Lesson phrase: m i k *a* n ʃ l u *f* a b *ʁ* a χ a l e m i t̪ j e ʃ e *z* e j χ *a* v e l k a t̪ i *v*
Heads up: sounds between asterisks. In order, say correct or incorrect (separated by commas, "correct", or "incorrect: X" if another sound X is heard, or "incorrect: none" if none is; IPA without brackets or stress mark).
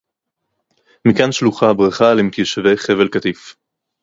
correct, incorrect: χ, correct, incorrect: v, incorrect: e, incorrect: f